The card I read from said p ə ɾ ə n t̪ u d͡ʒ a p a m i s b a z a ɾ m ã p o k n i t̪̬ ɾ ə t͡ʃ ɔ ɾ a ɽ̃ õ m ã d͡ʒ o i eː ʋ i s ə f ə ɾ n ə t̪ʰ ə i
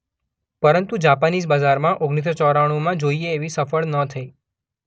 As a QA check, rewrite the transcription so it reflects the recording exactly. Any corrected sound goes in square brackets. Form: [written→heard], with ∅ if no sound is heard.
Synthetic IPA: p ə ɾ ə n t̪ u d͡ʒ a p a [m→n] i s b a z a ɾ m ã [p→ʔ] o [k→ɡ] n i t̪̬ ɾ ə t͡ʃ ɔ ɾ a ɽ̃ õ m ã d͡ʒ o i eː ʋ i s ə f ə [ɾ→ɭ] n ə t̪ʰ ə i